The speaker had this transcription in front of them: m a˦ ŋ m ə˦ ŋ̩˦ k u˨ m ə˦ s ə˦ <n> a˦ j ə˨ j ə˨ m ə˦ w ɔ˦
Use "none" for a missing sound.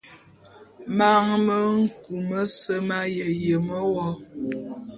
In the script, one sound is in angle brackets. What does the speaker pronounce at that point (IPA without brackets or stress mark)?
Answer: m